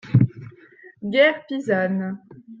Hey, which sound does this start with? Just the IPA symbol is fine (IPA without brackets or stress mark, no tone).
ɡ